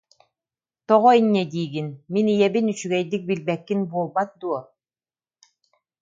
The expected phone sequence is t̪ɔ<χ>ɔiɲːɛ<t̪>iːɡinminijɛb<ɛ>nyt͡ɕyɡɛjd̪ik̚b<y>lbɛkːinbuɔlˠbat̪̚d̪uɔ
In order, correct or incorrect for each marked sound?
incorrect, incorrect, incorrect, incorrect

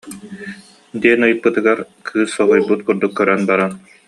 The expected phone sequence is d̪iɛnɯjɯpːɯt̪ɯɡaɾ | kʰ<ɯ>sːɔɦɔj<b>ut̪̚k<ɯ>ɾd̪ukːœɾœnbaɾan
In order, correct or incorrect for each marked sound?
incorrect, correct, incorrect

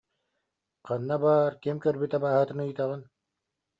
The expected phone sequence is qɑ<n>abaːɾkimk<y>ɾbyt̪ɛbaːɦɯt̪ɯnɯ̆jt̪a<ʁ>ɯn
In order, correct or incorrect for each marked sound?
incorrect, incorrect, correct

